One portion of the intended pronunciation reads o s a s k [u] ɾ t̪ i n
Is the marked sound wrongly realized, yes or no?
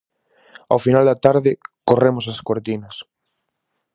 yes